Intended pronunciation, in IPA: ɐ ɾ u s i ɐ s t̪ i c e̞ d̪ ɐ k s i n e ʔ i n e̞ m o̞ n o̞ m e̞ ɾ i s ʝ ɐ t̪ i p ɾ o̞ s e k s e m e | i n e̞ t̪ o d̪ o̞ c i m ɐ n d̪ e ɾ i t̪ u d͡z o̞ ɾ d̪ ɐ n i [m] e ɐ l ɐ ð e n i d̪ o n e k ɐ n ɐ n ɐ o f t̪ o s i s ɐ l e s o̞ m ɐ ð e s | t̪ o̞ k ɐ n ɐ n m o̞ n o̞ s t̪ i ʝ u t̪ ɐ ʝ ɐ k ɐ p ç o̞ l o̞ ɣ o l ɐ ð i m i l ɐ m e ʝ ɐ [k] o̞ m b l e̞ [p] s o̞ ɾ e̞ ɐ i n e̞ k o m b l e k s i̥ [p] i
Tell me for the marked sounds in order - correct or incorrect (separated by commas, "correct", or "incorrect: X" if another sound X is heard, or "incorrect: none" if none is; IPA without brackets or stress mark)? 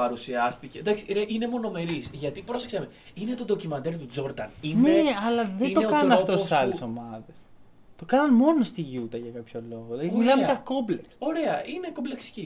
incorrect: n, correct, incorrect: k, incorrect: c